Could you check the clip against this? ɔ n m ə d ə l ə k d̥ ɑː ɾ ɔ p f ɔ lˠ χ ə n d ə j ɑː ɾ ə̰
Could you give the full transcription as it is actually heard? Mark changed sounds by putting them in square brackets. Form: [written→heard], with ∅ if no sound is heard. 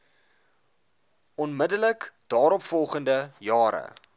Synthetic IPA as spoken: ɔ n m ə d ə l ə k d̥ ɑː ɾ ɔ p f ɔ lˠ χ ə n d ə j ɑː ɾ ə̰